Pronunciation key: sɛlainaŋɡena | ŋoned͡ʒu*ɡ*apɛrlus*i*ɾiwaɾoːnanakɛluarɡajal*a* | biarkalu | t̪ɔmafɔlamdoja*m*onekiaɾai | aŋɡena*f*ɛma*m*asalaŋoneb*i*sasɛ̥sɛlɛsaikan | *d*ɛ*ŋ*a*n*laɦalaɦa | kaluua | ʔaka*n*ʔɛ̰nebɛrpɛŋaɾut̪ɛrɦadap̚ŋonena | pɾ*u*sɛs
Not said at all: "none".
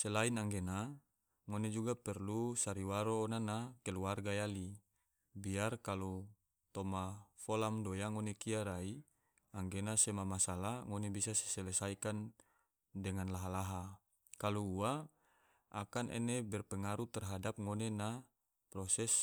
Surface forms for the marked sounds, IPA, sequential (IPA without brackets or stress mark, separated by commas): ɡ, a, i, ŋ, s, m, i, d, ŋ, n, n, ɔ